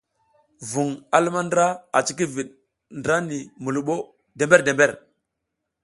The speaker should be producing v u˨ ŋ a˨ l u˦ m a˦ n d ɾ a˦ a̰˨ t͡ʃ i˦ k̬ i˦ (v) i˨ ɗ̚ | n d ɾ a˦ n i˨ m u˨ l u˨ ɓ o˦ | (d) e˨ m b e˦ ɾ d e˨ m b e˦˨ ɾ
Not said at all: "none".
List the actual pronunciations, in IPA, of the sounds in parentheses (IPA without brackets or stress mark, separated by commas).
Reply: v, d